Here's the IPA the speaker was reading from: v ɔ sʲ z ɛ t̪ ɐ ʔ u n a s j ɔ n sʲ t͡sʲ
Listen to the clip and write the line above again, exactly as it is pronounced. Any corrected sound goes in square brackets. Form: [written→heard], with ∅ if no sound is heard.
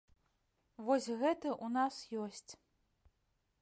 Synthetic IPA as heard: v ɔ sʲ [z→ɣ] ɛ t̪ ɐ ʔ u n a s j ɔ [n→∅] sʲ t͡sʲ